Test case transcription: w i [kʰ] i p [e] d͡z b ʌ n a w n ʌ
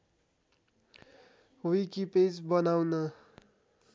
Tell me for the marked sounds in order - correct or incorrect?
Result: incorrect: k, correct

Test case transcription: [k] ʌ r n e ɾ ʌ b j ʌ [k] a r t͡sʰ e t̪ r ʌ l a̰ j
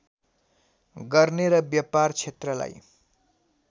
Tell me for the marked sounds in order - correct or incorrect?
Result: incorrect: ɡ, incorrect: p

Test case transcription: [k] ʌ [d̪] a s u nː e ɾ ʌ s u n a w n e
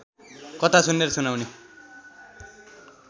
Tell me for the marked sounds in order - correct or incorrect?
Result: correct, incorrect: t̪

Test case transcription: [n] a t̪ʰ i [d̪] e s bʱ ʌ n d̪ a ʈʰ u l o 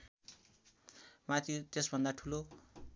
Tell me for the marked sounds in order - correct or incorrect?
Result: incorrect: m, incorrect: t̪

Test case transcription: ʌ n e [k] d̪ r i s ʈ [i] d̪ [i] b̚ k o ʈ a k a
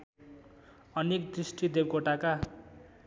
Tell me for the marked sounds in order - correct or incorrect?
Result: correct, correct, incorrect: e

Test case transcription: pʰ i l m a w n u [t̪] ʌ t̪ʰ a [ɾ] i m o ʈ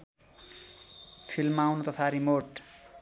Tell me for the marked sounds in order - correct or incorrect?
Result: correct, correct

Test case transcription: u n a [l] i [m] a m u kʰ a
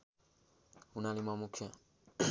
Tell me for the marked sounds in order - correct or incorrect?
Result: correct, correct

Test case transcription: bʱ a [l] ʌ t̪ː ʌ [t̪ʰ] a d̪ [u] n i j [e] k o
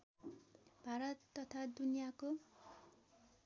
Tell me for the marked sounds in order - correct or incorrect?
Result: incorrect: ɾ, correct, correct, incorrect: a

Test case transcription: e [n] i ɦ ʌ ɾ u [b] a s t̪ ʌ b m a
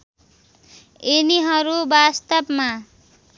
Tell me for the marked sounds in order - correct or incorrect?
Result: correct, correct

